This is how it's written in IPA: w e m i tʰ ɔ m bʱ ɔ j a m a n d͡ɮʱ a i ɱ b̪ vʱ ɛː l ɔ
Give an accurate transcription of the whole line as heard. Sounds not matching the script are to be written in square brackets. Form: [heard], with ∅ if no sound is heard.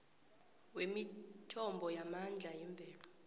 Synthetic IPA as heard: w e m i tʰ ɔ m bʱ ɔ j a m a n d͡ɮʱ a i ɱ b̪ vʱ ɛː l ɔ